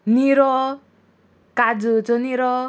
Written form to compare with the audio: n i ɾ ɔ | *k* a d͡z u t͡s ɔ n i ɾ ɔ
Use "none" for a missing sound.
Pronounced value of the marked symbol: k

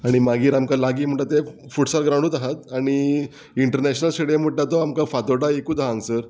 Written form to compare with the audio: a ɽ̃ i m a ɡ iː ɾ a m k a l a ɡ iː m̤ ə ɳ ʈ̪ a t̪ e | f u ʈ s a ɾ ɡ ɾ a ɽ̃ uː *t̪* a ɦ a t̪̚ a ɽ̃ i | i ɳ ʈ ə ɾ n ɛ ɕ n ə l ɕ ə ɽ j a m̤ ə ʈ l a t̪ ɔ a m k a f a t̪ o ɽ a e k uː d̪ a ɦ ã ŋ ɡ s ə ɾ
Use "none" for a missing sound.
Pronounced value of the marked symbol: t̪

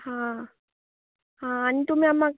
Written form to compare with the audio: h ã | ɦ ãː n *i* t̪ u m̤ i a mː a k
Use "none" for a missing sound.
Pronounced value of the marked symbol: i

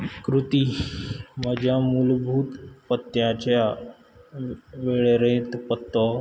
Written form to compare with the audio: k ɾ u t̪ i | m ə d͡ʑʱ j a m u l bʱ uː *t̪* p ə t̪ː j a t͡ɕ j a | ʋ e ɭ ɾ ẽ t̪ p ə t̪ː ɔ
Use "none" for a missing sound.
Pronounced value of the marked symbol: t̪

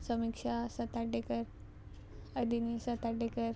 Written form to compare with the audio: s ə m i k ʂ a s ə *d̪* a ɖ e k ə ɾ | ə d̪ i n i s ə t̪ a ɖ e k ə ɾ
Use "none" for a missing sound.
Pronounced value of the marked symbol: t̪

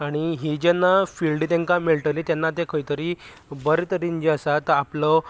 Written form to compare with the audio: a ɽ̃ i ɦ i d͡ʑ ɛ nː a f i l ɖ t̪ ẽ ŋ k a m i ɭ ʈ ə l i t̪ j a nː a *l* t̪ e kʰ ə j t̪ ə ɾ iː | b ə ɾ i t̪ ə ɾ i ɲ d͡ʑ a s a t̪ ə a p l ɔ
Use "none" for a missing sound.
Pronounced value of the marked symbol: none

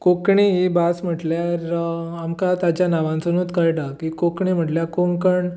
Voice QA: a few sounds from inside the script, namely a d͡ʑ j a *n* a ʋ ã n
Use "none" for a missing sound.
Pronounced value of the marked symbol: n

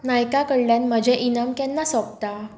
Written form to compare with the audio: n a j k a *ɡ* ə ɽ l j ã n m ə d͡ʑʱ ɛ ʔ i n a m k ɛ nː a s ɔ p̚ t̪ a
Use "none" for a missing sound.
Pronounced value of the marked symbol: k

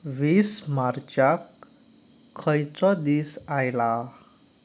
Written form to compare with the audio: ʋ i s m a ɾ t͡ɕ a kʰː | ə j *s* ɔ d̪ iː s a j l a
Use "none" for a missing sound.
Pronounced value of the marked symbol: t͡s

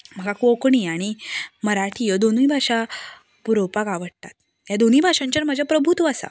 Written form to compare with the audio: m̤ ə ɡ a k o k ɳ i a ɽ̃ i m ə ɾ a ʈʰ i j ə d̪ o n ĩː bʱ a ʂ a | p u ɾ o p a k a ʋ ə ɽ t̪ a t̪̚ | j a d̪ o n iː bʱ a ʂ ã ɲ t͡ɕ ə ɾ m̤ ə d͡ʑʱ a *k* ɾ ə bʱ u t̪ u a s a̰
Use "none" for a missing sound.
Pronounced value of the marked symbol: p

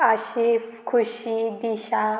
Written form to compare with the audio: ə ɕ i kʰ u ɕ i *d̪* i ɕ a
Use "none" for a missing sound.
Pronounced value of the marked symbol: d̪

